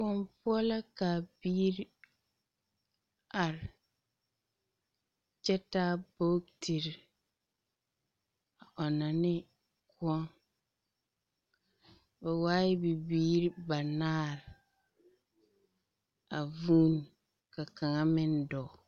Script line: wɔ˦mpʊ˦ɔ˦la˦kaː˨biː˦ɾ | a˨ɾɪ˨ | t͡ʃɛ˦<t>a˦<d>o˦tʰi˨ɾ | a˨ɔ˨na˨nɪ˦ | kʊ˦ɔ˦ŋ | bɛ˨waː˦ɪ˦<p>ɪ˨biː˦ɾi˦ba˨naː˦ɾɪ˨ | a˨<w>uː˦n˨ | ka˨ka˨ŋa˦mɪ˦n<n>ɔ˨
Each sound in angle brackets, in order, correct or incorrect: correct, incorrect: b, incorrect: b, incorrect: v, incorrect: d

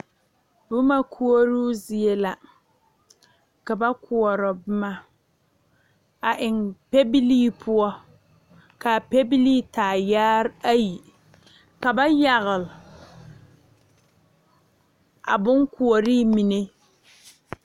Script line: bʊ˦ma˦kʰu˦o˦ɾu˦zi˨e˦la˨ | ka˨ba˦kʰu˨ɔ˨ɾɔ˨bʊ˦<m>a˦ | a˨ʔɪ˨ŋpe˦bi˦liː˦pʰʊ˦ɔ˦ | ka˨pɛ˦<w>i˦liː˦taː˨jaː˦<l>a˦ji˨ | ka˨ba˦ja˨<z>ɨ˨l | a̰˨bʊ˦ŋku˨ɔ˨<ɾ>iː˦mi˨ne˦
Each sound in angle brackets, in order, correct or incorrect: correct, incorrect: b, incorrect: ɾ, incorrect: ɣ, correct

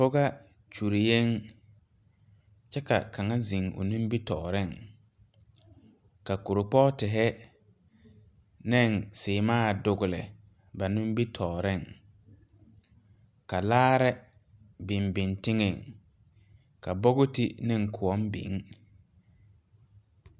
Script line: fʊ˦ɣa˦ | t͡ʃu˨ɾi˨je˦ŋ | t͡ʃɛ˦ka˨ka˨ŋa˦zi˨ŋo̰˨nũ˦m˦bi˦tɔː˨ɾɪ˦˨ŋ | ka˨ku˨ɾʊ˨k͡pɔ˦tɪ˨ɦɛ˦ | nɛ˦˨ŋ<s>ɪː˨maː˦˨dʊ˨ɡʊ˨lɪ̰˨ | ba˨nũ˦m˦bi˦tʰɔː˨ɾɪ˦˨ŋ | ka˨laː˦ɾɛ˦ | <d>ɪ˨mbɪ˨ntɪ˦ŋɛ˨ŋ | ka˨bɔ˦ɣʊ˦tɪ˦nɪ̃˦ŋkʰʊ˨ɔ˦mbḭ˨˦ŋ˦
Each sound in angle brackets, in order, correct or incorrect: correct, incorrect: b

